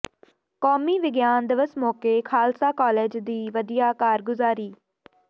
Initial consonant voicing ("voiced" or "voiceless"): voiceless